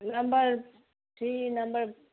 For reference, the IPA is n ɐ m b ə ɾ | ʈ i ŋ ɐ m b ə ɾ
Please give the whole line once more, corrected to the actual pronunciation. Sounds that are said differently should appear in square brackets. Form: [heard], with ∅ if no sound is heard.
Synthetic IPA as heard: n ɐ m b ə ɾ | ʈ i [n] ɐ m b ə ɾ